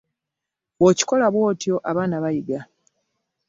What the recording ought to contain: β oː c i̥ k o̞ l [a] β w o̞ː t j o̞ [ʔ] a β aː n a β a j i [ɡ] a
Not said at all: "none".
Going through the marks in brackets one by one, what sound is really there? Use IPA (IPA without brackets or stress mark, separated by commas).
a, ʔ, ɡ